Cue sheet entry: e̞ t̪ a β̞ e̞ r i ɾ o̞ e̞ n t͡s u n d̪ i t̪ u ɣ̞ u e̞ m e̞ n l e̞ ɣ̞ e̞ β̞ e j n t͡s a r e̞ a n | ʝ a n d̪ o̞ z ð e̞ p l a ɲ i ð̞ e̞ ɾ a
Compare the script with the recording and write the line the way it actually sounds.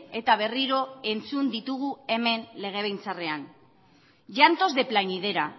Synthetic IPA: e̞ t̪ a β̞ e̞ r i ɾ o̞ e̞ n t͡s u n d̪ i t̪ u ɣ̞ u e̞ m e̞ n l e̞ ɣ̞ e̞ β̞ e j n t͡s a r e̞ a n | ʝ a n t̪ o̞ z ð e̞ p l a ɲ i ð̞ e̞ ɾ a